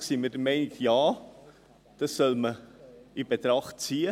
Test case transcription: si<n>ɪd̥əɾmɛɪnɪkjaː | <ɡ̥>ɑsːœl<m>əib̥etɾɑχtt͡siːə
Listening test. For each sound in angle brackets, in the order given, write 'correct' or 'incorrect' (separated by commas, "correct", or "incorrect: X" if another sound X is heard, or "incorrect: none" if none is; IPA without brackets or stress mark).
incorrect: m, incorrect: d̥, correct